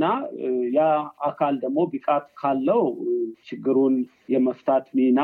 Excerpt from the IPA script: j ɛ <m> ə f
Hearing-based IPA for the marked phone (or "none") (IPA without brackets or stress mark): m